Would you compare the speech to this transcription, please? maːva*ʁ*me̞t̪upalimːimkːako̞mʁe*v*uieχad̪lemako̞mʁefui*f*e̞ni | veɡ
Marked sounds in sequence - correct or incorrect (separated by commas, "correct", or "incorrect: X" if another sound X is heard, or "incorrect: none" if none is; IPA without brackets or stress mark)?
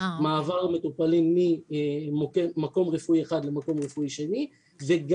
correct, incorrect: f, incorrect: ʃ